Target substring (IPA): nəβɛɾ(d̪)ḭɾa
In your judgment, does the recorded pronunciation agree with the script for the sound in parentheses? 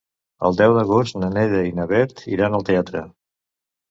no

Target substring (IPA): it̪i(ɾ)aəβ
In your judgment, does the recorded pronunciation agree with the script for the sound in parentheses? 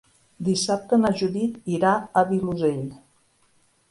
yes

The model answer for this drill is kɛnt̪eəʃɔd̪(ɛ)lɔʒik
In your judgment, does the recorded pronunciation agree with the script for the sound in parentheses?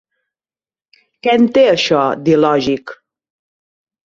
no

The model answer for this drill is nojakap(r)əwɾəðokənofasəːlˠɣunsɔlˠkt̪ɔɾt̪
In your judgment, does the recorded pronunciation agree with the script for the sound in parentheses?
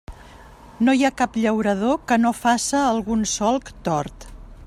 no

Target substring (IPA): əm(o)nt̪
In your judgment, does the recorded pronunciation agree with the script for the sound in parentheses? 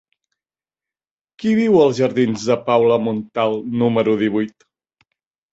no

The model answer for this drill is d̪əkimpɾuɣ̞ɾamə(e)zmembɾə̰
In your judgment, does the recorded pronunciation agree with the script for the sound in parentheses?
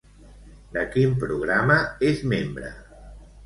yes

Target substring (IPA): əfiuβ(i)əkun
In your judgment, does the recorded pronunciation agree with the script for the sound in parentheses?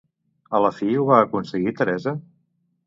no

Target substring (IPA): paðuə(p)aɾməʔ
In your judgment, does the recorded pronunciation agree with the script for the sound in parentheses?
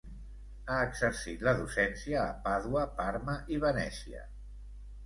yes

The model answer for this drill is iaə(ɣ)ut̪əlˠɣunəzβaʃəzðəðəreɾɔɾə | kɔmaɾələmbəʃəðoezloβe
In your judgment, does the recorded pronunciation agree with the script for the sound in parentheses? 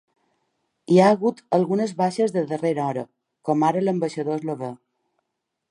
yes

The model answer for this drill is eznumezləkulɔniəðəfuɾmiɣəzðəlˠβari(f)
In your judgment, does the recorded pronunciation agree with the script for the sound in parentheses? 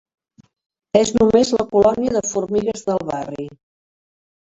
no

